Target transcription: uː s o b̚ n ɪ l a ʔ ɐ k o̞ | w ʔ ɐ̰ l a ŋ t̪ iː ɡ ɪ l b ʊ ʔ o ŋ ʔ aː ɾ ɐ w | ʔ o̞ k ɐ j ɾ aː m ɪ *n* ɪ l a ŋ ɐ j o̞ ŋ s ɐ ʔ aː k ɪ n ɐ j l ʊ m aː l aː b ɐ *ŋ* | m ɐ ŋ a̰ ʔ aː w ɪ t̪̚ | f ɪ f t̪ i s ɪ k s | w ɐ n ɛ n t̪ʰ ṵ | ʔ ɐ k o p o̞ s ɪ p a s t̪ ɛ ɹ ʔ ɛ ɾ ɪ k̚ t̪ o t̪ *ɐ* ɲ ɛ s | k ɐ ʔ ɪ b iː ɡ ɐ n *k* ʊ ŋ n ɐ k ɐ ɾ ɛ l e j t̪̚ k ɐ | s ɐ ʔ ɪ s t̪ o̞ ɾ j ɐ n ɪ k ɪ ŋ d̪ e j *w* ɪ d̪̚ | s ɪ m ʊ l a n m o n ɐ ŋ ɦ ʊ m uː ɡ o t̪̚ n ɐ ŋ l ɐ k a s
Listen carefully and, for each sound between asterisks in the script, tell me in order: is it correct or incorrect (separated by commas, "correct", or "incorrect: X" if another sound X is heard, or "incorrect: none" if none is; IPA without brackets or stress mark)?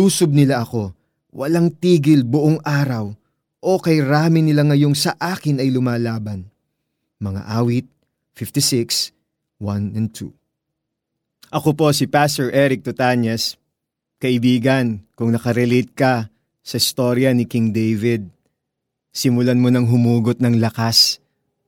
correct, incorrect: n, incorrect: a, correct, incorrect: v